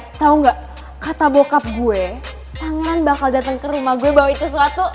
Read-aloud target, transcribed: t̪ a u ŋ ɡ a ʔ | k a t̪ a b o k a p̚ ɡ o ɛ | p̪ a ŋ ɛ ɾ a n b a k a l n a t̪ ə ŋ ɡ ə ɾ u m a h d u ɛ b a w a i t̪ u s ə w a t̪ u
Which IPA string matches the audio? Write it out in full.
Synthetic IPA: t̪ a u ŋ ɡ a ʔ | k a t̪ a b o k a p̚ ɡ u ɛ | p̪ a ŋ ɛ ɾ a n b a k a l d a t̪ ə ŋ k ə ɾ u m a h ɡ u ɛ b a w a i t̪ u s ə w a t̪ u